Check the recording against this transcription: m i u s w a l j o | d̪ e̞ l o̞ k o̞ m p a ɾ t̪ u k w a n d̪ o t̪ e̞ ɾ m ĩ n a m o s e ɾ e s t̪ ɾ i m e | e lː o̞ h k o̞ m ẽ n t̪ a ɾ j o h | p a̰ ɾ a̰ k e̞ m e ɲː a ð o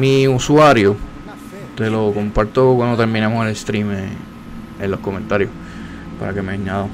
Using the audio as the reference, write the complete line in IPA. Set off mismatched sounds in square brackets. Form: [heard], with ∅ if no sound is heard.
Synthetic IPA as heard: m i u s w a [ɾ] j o | [t̪] e̞ l o̞ k o̞ m p a ɾ t̪ [o] k w a n d̪ o t̪ e̞ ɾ m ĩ n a m o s e [l] e s t̪ ɾ i m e | e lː o̞ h k o̞ m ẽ n t̪ a ɾ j o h | p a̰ ɾ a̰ k e̞ m e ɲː a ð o